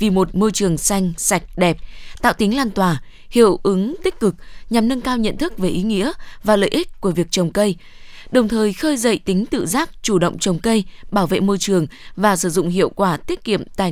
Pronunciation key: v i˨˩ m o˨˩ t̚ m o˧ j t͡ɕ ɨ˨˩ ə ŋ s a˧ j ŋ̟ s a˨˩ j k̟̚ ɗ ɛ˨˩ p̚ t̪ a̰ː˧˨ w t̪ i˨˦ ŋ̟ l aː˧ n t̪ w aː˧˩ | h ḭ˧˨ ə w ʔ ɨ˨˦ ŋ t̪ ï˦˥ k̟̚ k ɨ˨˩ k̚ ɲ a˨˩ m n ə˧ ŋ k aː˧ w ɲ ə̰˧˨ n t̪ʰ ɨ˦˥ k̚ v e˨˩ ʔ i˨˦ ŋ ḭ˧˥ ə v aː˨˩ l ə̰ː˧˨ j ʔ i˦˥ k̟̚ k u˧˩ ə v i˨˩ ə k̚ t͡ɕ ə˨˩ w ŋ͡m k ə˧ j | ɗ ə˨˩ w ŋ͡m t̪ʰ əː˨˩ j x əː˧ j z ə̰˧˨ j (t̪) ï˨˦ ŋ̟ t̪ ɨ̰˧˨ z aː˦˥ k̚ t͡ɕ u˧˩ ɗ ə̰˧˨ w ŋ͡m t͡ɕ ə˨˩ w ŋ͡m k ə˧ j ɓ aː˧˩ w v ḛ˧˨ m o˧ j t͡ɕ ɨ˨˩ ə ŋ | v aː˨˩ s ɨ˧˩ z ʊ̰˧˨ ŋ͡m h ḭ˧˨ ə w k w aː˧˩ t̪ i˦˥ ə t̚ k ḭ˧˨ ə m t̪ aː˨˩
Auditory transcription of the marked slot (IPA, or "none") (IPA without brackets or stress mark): t̪